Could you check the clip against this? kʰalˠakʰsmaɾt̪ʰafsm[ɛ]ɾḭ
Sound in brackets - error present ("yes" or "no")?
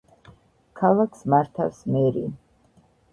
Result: no